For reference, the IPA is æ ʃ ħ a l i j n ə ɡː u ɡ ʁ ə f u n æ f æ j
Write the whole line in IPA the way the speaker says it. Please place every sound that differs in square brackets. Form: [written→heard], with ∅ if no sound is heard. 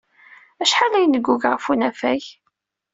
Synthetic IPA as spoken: æ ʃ ħ a l [i→æ] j n ə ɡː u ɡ ʁ ə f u n æ f æ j